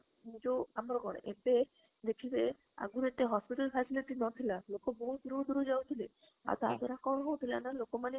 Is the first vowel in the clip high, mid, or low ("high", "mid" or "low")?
high